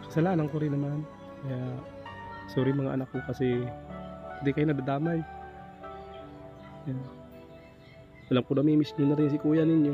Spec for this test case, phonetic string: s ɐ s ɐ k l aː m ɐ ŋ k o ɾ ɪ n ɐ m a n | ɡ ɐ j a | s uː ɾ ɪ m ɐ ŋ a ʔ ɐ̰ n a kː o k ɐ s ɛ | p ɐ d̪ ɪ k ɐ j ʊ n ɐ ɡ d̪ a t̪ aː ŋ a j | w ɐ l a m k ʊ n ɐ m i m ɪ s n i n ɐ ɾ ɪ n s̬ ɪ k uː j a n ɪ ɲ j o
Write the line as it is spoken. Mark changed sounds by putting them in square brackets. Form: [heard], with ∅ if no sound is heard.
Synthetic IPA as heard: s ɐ s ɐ [∅] l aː [n] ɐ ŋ k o ɾ ɪ n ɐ m a n | [k] ɐ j a | s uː ɾ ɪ m ɐ ŋ a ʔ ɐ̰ n a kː o k ɐ s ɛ | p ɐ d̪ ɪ k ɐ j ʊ n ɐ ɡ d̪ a [d̪] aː [m] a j | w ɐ l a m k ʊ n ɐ m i m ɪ s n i n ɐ ɾ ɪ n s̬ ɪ k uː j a n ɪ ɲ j o